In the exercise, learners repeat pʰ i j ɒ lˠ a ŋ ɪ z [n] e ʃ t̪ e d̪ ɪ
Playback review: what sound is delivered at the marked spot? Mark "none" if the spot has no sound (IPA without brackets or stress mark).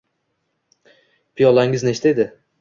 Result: n